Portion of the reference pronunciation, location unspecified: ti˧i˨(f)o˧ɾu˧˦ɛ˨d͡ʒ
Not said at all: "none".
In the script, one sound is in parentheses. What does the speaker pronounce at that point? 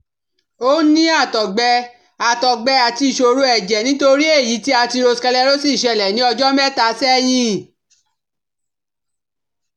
ʃ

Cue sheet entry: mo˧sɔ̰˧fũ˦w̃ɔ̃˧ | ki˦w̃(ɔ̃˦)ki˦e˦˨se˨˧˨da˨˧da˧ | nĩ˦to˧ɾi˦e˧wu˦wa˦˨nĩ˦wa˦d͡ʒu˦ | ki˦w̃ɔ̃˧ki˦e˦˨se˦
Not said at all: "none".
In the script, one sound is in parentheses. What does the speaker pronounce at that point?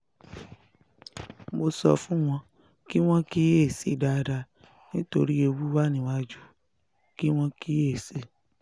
ɔ̃˦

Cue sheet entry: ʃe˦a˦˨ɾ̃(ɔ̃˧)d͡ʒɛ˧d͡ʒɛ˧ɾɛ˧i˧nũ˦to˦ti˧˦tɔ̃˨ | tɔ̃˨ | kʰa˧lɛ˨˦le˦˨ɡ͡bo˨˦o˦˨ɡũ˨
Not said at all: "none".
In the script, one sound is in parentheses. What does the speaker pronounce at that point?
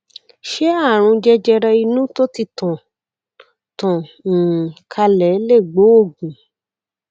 ũ˧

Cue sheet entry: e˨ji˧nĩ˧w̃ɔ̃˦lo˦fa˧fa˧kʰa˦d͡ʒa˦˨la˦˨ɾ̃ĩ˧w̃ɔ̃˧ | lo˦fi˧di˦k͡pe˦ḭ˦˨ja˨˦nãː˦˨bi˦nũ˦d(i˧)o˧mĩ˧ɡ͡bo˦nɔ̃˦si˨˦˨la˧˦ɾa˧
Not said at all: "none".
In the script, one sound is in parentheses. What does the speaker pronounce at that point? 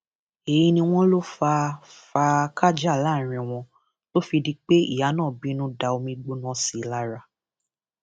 a˧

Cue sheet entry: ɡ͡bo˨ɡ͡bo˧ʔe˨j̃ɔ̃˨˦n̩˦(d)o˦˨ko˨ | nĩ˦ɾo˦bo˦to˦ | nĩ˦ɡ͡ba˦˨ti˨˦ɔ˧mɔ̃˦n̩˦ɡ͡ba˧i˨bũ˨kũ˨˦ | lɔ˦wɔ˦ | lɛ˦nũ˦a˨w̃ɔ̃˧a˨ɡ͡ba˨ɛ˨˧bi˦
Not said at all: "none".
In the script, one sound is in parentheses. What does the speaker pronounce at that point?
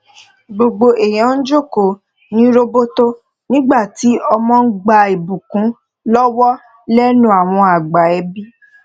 d͡ʒ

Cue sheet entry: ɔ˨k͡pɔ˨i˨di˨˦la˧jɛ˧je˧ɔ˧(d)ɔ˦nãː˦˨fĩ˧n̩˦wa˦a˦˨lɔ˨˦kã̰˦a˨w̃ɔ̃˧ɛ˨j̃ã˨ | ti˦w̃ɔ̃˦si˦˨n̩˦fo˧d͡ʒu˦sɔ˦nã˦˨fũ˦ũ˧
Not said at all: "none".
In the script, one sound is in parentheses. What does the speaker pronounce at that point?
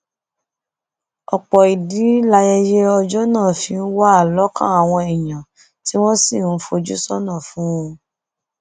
d͡ʒ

